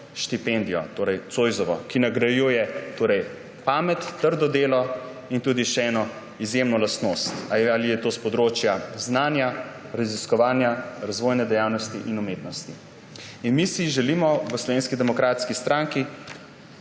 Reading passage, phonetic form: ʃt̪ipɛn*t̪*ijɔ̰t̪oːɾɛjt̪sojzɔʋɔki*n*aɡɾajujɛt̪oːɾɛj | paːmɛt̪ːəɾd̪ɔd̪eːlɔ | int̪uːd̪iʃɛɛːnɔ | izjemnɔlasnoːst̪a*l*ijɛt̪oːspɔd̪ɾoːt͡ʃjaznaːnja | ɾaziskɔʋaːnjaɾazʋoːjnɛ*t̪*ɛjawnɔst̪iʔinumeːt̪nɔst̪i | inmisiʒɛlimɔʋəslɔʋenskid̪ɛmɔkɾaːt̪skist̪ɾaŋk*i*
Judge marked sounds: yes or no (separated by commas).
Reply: no, yes, yes, no, yes